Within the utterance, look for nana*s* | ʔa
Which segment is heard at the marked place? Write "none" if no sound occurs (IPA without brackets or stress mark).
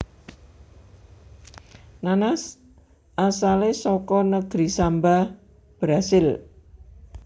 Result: s